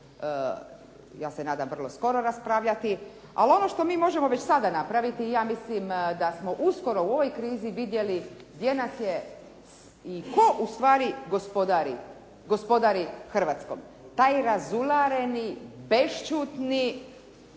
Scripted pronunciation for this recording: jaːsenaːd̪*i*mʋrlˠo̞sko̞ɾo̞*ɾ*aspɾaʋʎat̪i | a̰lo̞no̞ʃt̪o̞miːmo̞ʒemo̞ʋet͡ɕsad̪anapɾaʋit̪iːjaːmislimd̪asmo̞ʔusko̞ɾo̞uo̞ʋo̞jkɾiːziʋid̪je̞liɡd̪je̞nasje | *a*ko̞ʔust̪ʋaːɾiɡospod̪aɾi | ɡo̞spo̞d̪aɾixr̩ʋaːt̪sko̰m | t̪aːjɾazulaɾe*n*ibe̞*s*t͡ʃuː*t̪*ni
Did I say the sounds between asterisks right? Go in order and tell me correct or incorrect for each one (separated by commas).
incorrect, correct, incorrect, correct, incorrect, correct